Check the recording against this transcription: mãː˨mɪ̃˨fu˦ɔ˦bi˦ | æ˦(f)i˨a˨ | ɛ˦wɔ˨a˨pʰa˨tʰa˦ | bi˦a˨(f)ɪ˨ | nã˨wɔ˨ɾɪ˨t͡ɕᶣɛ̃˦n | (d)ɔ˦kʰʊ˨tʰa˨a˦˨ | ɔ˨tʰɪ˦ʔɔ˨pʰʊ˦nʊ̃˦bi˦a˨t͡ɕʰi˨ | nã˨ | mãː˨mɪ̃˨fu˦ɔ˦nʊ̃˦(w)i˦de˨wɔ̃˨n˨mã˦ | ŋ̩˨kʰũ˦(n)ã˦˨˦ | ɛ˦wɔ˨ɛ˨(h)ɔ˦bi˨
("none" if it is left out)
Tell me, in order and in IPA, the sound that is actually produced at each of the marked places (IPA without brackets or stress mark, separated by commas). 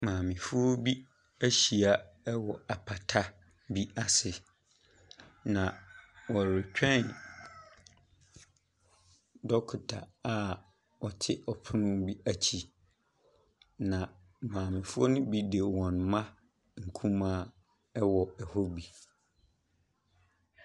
ɕ, s, d, b, m, h